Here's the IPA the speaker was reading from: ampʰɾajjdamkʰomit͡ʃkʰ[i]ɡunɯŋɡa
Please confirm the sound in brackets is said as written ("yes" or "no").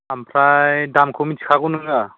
no